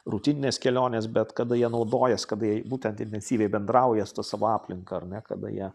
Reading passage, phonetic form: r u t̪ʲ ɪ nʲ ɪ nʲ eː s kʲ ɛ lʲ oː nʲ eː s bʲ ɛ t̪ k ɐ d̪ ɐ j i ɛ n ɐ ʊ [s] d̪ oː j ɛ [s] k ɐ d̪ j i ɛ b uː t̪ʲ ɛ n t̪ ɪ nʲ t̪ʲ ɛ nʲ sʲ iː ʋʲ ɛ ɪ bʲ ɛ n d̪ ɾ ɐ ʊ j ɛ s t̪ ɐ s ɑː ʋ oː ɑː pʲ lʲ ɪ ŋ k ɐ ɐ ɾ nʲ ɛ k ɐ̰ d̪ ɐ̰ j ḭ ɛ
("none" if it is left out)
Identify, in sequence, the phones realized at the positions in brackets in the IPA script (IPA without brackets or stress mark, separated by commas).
none, s